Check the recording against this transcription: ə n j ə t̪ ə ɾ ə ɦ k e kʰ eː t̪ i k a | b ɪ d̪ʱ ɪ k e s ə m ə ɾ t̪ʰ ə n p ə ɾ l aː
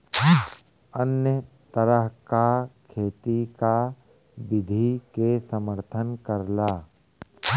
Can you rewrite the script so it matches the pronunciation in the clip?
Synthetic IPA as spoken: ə n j ə t̪ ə ɾ ə ɦ k a kʰ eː t̪ i k a | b ɪ d̪ʱ i k e s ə m ə ɾ t̪ʰ ə n k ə ɾ l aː